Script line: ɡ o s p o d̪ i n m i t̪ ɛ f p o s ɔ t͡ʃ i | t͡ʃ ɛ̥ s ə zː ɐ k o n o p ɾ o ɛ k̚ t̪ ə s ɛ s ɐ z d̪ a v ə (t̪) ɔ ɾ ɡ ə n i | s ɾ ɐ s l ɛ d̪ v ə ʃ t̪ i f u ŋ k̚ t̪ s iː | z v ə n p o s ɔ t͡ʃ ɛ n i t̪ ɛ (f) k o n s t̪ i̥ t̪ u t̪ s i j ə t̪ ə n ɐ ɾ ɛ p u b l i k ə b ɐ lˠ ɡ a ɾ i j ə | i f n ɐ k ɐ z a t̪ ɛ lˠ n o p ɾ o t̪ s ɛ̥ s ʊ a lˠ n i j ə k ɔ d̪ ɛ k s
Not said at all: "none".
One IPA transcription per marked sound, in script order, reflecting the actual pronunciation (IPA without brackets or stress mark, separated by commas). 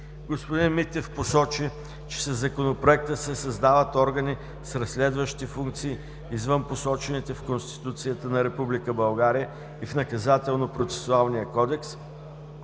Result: t̪, f